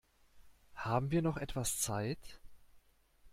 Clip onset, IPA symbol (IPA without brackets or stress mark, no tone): h